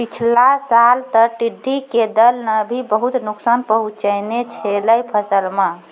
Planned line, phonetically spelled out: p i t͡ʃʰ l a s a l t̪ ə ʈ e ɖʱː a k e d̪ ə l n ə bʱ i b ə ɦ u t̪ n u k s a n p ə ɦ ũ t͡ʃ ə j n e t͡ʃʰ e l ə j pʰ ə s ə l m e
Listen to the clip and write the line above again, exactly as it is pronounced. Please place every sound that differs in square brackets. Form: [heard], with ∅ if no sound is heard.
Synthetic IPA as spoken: p i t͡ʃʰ l a s a l t̪ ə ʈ [i] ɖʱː [i] k e d̪ ə l n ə bʱ i b ə ɦ u t̪ n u k s a n p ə ɦ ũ t͡ʃ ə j n e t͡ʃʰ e l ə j pʰ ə s ə l m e